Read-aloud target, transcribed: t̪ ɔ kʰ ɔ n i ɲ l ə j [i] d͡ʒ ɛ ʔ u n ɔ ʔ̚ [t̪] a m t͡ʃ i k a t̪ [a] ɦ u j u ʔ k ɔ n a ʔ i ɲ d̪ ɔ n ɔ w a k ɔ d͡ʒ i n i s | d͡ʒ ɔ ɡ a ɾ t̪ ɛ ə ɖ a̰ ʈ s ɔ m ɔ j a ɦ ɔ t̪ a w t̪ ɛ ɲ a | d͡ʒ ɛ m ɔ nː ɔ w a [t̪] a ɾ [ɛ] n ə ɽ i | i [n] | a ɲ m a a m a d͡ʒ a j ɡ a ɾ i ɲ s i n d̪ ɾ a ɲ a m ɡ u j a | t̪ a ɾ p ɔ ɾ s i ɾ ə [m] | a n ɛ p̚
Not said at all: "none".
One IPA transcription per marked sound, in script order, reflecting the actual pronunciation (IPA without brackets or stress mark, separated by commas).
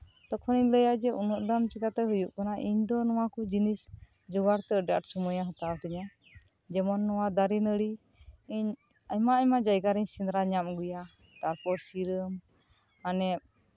a, d̪, ɛ, d̪, i, ɲ, m